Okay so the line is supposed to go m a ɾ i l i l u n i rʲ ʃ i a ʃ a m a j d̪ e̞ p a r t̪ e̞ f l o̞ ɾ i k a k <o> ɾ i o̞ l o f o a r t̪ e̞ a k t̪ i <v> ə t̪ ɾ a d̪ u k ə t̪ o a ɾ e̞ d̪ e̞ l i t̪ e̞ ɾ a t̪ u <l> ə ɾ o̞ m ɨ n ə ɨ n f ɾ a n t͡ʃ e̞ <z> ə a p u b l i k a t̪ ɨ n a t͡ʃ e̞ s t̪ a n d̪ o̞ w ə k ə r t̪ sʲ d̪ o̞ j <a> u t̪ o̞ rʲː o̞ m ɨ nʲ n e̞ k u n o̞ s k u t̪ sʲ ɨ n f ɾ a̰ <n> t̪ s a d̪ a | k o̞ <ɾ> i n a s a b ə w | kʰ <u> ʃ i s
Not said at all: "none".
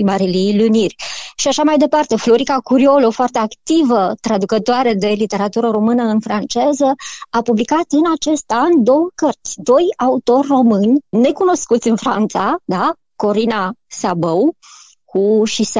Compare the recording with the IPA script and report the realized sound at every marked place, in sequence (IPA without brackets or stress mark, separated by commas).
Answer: u, v, ɾ, z, a, n, ɾ, u